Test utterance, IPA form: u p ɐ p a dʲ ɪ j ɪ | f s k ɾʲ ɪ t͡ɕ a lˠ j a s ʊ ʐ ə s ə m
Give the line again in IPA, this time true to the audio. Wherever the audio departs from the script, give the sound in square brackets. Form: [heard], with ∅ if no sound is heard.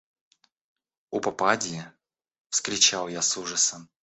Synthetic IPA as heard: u p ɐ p a dʲ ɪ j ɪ | f s k ɾʲ ɪ t͡ɕ a lˠ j a s [u] ʐ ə s ə m